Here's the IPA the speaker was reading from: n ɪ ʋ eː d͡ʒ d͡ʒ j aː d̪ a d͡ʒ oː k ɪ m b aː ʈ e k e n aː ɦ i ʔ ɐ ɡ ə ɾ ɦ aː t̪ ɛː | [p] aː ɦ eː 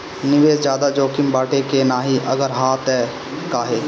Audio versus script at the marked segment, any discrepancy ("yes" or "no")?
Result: yes